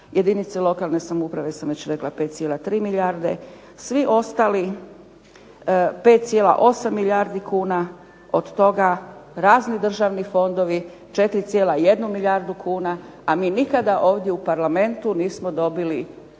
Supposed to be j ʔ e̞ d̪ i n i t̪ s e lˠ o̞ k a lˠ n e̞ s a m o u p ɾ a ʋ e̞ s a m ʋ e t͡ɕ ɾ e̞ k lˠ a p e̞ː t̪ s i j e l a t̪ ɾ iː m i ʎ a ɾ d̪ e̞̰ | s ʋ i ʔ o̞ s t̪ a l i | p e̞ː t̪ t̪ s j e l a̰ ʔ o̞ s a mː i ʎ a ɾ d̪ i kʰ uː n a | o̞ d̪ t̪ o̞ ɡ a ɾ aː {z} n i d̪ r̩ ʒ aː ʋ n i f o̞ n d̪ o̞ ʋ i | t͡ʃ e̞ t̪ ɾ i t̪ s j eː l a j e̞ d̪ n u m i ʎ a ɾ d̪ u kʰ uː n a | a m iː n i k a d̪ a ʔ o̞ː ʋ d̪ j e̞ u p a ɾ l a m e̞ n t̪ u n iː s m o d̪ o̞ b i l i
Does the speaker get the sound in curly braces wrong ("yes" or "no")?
no